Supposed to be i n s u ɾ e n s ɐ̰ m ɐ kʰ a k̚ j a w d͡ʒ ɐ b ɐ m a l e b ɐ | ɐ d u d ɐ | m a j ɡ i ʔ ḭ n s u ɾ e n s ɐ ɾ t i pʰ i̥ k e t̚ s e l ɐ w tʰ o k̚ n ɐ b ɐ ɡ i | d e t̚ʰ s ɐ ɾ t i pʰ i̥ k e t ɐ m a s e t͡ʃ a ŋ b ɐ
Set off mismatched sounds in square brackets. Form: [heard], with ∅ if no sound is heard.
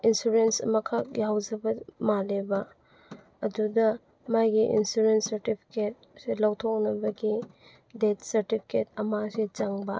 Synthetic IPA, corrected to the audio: i n s u ɾ e n s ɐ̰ m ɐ kʰ a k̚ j a w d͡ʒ ɐ b ɐ m a l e b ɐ | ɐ d u d ɐ | m a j ɡ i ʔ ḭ n s u ɾ e n s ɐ ɾ t i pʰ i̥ k e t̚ s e l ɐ w tʰ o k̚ n ɐ b ɐ ɡ i | d e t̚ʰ s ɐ ɾ t i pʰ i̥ k e t ɐ m a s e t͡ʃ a ŋ b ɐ